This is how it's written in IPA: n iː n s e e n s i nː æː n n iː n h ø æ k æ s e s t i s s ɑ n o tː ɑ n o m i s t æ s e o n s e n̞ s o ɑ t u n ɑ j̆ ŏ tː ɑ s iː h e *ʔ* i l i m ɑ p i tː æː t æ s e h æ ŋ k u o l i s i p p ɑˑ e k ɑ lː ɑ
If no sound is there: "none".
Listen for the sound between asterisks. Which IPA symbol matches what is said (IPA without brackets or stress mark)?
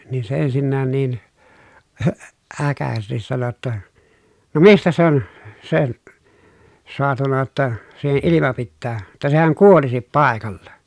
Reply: ʔ